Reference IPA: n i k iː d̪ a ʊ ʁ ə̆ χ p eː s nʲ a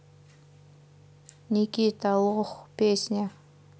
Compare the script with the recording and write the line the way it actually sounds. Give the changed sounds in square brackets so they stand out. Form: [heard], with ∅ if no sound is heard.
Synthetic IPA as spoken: n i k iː [t̪] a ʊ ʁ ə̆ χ p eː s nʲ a